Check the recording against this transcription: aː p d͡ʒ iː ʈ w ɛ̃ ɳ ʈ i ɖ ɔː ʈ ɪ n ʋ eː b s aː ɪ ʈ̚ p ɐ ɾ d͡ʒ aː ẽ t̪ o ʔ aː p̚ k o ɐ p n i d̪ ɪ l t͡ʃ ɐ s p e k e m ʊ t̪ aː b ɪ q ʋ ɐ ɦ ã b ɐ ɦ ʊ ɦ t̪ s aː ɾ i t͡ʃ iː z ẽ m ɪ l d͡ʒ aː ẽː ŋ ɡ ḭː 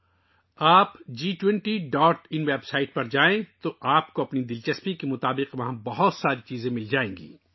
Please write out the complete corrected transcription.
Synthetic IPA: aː p d͡ʒ iː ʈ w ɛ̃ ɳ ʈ i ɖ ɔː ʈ ɪ n ʋ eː b s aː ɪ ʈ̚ p ɐ ɾ d͡ʒ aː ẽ t̪ o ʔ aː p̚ k o ɐ p n i d̪ ɪ l t͡ʃ ɐ s p i k e m ʊ t̪ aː b ɪ q ʋ ɐ ɦ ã b ɐ ɦ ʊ t̪ s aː ɾ i t͡ʃ iː z ẽ m ɪ l d͡ʒ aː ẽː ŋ ɡ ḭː